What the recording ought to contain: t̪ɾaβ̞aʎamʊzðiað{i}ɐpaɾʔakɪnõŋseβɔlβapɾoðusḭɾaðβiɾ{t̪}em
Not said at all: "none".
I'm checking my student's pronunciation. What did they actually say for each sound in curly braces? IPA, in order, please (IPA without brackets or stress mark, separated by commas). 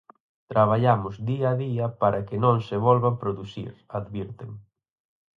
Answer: i, t̪